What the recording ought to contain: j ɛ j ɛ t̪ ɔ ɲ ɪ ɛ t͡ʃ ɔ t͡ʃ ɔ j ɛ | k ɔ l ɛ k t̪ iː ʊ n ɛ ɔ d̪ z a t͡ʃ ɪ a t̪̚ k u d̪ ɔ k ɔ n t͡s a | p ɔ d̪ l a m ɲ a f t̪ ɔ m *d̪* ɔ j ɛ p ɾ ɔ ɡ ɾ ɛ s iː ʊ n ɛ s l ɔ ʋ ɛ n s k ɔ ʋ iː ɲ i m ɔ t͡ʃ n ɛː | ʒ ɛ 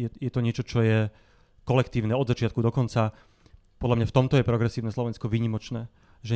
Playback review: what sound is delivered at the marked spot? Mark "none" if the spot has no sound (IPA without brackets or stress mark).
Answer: t̪